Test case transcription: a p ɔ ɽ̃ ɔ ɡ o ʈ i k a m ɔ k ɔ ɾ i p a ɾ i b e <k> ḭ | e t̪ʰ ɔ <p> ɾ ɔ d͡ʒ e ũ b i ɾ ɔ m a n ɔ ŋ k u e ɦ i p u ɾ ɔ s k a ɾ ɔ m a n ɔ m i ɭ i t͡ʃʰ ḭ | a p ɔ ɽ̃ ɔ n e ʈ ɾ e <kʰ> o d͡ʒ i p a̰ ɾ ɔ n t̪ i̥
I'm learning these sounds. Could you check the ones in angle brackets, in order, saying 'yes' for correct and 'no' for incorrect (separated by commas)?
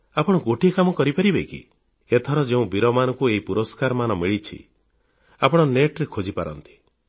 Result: yes, no, yes